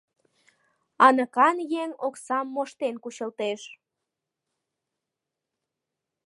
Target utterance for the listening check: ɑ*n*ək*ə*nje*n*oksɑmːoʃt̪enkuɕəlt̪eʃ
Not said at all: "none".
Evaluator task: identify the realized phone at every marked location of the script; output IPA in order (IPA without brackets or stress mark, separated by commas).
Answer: n, ɑ, ŋ